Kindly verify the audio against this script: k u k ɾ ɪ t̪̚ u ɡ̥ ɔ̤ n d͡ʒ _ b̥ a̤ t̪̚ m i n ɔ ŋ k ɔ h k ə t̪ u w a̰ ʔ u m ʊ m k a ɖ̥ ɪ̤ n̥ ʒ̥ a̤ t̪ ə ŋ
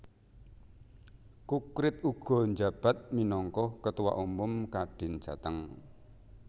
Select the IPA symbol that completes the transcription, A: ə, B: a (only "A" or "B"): B